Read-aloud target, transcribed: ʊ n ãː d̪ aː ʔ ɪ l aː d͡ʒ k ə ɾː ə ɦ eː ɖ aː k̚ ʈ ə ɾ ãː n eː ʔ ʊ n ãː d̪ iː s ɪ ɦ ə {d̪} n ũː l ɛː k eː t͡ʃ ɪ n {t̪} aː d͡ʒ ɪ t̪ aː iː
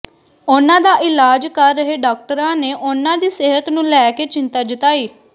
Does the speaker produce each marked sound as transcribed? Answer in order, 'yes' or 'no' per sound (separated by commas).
no, yes